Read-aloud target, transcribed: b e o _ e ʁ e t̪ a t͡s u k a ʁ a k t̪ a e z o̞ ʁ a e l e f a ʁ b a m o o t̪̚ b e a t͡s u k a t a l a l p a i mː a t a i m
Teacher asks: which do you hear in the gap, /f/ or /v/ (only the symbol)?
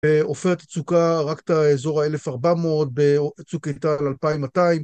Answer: f